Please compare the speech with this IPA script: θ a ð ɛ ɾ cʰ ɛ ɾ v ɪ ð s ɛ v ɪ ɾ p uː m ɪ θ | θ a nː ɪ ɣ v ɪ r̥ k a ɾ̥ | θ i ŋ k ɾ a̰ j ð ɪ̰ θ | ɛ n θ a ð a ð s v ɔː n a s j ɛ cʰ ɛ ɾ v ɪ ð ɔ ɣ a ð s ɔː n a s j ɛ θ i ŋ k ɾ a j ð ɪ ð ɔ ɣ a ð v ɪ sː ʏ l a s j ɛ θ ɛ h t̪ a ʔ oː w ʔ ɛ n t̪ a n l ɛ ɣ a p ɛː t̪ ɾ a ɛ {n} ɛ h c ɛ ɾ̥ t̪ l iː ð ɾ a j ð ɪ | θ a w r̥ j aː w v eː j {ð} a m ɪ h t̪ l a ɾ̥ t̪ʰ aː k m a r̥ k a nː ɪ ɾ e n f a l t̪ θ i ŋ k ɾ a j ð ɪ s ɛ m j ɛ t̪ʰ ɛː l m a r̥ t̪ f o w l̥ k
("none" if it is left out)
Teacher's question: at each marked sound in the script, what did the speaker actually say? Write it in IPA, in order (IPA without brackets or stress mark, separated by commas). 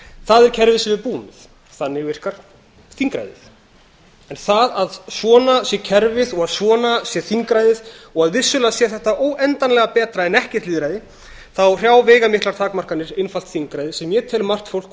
n, ɣ